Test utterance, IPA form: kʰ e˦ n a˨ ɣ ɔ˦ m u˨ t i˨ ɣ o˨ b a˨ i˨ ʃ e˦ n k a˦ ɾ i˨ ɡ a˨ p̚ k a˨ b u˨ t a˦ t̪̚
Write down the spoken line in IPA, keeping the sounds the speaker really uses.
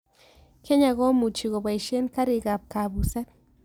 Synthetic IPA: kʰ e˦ ɲ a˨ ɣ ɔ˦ m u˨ t͡ʃ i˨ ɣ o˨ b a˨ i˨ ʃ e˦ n k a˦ ɾ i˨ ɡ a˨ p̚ k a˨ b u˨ s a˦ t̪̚